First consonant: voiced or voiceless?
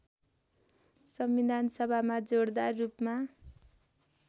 voiceless